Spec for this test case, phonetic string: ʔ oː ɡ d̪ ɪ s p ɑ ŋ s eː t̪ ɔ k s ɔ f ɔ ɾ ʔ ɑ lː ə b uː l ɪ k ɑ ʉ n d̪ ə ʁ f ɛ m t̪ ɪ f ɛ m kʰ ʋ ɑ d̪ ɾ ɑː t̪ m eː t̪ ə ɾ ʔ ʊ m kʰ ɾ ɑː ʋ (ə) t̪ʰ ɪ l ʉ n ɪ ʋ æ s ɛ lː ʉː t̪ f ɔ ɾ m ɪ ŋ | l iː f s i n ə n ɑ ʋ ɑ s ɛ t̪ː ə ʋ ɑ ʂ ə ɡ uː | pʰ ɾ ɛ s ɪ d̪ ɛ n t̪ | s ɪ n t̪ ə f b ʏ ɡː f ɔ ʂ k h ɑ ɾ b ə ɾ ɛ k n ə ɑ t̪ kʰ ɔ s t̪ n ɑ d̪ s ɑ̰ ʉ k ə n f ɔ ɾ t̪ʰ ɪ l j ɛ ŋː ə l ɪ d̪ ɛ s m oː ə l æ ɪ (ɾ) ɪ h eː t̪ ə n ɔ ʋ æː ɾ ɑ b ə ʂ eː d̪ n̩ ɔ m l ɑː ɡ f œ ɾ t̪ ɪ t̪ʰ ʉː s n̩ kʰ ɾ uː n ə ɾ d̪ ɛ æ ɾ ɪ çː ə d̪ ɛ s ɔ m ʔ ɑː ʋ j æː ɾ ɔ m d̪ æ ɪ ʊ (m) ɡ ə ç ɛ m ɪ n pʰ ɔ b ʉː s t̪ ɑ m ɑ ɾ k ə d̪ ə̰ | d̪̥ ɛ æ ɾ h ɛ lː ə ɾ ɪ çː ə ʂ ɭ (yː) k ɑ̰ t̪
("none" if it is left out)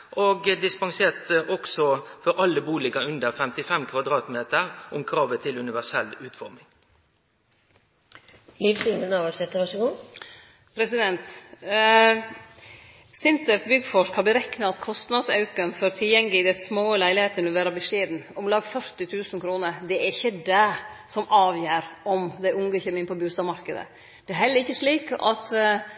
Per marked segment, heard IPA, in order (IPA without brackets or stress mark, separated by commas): ə, l, ŋ, iː